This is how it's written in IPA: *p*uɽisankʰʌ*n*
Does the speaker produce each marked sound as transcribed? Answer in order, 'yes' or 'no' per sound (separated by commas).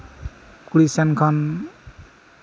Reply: no, yes